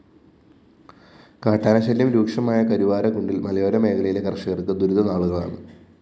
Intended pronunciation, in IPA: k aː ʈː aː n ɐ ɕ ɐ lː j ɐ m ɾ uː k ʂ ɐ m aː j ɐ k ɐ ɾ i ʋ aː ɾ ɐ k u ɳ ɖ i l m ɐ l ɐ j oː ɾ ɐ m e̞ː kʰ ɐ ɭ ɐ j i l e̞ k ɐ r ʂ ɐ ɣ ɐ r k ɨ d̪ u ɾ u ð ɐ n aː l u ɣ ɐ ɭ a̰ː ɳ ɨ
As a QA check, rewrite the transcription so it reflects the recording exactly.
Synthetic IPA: k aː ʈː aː n ɐ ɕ ɐ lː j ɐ m ɾ uː k ʂ ɐ m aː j ɐ k ɐ ɾ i ʋ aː ɾ ɐ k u ɳ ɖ i l m ɐ l ɐ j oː ɾ ɐ m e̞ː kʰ ɐ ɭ ɐ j i l e̞ k ɐ r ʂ ɐ ɣ ɐ r k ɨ d̪ u ɾ u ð ɐ n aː ɭ u ɣ ɐ ɭ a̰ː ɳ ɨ